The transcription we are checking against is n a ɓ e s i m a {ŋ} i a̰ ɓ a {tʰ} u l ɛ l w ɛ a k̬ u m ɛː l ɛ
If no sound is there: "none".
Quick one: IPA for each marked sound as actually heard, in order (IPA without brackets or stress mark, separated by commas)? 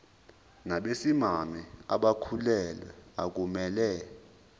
m, kʰ